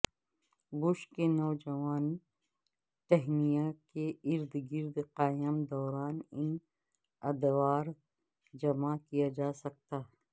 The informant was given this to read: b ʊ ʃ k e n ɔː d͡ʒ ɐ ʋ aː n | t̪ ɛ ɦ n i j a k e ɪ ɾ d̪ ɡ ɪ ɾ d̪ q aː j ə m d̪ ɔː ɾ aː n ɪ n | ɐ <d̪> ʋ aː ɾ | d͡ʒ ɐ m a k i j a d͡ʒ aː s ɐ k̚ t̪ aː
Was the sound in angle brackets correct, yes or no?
yes